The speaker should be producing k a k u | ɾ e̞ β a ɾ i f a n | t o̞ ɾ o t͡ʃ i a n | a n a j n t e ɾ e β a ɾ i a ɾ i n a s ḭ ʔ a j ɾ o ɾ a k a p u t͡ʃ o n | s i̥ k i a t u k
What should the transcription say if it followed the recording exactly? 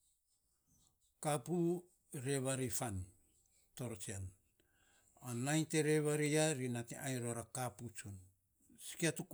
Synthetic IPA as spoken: k a p u | ɾ e̞ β a ɾ i f a n | t o̞ ɾ o t͡ʃ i a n | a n a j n t e ɾ e β a ɾ i a ɾ i n a t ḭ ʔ a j ɾ o ɾ a k a p u t͡ʃ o n | s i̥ k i a t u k